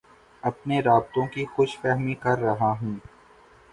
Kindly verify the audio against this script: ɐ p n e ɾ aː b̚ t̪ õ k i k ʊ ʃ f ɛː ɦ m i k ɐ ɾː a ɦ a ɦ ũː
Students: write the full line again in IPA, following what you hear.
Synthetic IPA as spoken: ɐ p n e ɾ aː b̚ t̪ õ k i x ʊ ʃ f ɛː ɦ m i k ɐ ɾː ɐ ɦ a ɦ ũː